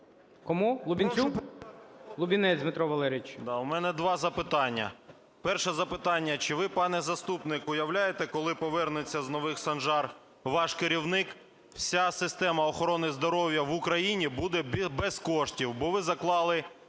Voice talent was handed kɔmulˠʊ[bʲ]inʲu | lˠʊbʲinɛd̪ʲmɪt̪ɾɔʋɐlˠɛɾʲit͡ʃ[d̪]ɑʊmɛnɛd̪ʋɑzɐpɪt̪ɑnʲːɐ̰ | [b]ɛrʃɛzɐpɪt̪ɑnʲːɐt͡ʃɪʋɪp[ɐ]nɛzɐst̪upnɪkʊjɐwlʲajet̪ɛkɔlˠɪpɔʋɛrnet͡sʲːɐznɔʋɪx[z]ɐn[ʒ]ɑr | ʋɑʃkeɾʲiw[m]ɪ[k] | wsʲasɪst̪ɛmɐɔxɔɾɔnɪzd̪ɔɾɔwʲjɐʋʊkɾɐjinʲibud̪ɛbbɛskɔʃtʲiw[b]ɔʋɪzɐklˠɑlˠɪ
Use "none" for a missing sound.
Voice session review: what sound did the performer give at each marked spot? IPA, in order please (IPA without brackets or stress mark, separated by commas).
bʲ, d̪, p, ɑ, s, ʒ, n, k, b